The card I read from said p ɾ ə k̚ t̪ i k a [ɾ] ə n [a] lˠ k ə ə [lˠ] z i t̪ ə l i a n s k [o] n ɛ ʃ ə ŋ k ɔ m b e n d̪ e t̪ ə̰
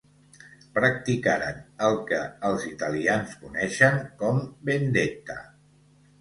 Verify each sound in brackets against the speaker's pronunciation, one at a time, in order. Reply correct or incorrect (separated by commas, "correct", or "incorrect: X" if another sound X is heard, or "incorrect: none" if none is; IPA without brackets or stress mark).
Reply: correct, incorrect: ə, correct, incorrect: u